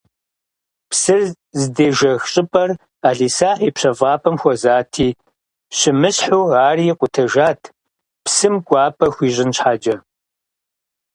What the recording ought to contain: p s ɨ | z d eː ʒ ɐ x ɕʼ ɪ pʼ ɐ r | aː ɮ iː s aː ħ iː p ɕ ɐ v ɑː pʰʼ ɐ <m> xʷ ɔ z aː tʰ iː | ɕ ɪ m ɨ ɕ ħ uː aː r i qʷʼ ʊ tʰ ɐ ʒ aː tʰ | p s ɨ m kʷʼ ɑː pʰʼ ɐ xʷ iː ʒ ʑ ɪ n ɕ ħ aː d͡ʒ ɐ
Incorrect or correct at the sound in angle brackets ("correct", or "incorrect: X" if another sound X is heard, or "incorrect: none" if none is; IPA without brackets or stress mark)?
correct